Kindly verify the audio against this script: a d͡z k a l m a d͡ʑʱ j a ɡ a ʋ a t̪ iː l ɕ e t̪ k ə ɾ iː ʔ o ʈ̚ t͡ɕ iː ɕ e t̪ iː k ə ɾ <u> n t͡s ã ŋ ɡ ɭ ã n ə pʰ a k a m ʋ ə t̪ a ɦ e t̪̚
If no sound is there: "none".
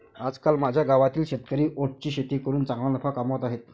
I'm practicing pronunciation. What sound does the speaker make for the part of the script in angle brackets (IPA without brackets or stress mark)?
uː